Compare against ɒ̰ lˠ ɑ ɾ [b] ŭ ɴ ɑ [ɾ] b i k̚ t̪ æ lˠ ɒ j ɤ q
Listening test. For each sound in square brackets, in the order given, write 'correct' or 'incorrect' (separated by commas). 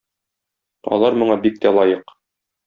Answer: incorrect, incorrect